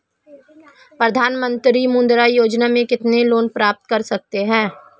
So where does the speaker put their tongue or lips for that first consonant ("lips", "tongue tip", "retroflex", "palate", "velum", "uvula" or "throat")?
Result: lips